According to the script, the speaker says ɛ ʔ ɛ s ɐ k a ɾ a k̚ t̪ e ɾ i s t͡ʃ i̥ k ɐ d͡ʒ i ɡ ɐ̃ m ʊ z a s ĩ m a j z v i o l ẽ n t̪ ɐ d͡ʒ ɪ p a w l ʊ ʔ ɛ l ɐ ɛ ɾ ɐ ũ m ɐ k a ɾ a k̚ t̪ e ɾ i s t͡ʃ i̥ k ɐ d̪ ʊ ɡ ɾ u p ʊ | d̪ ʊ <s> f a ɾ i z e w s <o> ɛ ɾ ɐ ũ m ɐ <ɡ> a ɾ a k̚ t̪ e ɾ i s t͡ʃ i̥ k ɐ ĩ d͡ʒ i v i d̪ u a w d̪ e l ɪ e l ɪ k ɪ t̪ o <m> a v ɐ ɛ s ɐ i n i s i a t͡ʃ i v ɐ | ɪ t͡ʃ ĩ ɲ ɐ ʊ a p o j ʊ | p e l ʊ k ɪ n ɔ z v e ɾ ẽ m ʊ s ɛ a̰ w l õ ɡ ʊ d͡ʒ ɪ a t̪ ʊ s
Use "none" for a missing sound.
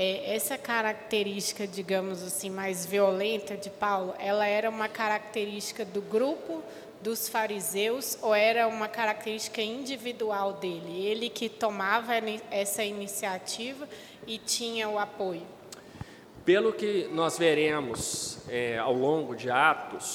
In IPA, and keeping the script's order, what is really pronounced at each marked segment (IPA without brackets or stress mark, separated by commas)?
s, o, k, m